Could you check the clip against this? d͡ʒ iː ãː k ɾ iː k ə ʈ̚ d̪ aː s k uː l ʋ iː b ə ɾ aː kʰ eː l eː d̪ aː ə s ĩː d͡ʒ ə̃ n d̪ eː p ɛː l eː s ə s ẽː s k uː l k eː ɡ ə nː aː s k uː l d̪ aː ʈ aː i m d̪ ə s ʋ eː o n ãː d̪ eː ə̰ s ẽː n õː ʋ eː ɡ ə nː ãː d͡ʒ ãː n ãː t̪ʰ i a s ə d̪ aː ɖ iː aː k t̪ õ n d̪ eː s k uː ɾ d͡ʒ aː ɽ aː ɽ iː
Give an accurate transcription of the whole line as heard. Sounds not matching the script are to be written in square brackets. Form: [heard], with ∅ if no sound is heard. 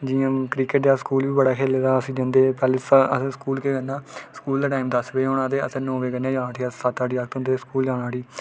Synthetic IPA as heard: d͡ʒ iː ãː k ɾ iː k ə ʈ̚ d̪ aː s k uː l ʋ iː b ə [ɽ] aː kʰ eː l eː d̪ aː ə s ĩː d͡ʒ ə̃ n d̪ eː p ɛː l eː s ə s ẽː s k uː l k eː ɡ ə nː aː s k uː l d̪ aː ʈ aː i m d̪ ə s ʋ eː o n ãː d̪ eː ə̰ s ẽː n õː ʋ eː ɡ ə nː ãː d͡ʒ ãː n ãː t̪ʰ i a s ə [t̪] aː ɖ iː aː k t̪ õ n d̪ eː s k uː [l] d͡ʒ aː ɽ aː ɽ iː